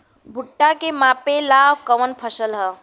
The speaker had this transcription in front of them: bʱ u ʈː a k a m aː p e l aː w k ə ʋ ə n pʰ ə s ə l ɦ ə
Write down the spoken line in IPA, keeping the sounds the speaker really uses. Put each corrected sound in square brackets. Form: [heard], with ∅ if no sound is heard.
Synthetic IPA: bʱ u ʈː a k [e] m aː p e l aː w k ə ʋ ə n pʰ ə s ə l ɦ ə